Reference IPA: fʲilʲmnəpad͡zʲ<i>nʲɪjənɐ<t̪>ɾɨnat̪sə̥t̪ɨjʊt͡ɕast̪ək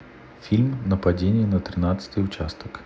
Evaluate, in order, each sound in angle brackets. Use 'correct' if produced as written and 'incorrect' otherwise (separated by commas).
incorrect, correct